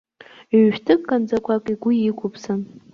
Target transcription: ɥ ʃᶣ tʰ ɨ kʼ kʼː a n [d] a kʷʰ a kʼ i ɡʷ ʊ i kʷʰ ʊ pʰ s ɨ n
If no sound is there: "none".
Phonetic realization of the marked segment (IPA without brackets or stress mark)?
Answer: d͡z